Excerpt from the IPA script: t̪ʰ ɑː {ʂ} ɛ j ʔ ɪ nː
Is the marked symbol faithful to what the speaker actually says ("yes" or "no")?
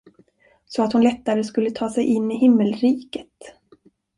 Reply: no